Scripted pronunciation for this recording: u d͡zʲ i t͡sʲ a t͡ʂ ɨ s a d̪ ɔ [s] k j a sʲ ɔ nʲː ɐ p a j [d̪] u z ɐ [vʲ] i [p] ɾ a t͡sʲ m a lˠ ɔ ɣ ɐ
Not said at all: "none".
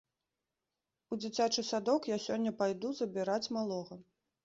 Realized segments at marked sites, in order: none, d̪, bʲ, none

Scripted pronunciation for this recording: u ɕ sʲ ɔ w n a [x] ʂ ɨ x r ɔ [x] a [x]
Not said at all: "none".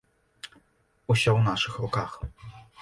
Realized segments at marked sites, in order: none, k, x

